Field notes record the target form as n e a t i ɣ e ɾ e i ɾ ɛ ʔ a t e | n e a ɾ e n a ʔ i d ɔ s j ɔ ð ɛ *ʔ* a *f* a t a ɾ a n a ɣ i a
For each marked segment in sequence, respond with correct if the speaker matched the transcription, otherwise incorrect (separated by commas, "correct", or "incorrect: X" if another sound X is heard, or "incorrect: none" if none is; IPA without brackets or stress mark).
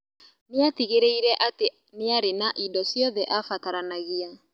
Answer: correct, correct